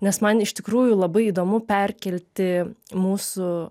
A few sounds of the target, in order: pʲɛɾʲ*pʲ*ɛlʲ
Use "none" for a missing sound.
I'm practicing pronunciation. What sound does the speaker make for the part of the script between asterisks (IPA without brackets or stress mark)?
kʲ